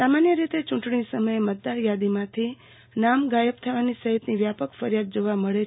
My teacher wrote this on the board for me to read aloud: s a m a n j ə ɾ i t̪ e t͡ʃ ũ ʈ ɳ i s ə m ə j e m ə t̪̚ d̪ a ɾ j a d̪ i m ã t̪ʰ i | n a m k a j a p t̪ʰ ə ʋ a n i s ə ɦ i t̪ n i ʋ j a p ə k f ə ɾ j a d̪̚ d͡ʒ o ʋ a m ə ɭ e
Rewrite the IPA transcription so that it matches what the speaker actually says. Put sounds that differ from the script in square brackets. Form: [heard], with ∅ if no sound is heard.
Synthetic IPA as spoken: s a m a n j ə ɾ i t̪ e t͡ʃ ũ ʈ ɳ i s ə m ə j e m ə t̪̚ d̪ a ɾ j a d̪ i m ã t̪ʰ i | n a m [ɡ] a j [ə] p t̪ʰ ə ʋ a n i s ə ɦ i t̪ n i ʋ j a p ə k f ə ɾ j a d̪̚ d͡ʒ o ʋ a m ə ɭ e